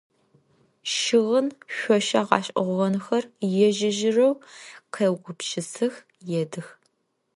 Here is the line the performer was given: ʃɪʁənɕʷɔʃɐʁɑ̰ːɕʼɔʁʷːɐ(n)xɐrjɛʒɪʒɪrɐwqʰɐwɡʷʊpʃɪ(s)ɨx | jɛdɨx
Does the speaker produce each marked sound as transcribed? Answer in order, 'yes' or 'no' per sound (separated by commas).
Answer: yes, yes